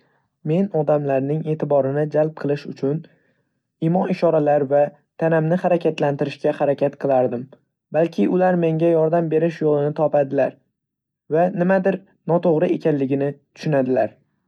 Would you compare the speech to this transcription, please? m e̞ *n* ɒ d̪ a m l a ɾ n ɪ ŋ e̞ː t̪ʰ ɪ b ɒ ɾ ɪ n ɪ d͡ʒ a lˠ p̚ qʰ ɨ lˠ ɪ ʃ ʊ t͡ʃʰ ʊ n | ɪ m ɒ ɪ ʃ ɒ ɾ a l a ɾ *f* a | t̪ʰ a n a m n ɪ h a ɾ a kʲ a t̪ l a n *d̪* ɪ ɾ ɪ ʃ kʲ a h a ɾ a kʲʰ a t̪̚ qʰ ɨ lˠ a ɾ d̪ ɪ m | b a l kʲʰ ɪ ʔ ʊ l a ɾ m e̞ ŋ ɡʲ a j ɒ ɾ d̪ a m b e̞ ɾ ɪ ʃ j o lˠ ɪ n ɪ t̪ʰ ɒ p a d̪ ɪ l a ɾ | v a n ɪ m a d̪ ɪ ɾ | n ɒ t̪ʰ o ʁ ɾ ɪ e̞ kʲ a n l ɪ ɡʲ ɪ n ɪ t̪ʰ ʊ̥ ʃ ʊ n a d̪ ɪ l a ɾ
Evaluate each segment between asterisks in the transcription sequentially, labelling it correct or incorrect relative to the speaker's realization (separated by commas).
correct, incorrect, incorrect